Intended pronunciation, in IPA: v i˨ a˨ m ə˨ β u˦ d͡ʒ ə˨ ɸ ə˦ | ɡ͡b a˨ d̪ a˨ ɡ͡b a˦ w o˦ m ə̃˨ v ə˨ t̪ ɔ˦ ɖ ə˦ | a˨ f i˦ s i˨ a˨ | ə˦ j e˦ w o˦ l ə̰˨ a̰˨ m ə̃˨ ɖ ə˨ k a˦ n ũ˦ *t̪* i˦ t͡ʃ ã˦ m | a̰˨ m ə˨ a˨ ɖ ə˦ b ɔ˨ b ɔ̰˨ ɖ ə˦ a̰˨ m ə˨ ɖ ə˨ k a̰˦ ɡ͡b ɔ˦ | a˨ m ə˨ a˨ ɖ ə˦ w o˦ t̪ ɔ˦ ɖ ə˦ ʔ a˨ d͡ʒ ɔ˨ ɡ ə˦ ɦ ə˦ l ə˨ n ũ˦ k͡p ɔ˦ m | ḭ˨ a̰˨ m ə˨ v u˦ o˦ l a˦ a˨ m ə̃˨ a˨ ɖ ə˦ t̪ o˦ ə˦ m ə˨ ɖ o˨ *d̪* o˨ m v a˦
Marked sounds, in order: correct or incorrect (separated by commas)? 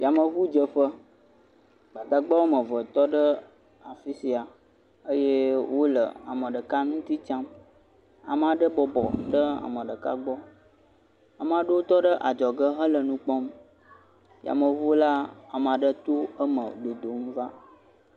correct, correct